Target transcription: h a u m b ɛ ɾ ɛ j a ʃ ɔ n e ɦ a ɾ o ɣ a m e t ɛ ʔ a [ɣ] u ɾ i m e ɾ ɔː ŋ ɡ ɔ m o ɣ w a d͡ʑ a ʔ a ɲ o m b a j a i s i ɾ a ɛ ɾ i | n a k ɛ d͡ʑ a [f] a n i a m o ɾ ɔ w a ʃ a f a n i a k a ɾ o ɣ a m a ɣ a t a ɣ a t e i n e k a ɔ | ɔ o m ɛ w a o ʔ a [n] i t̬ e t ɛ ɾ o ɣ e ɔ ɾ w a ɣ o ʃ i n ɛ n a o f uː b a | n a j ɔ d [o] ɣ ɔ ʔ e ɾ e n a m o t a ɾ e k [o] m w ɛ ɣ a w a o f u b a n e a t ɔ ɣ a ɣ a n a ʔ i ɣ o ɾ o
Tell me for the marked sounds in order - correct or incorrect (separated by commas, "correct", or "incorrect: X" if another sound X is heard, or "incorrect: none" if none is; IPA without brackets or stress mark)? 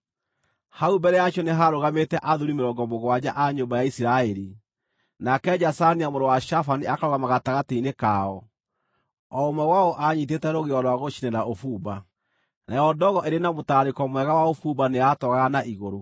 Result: incorrect: ð, incorrect: s, incorrect: ɲ, incorrect: ɔ, incorrect: ɔ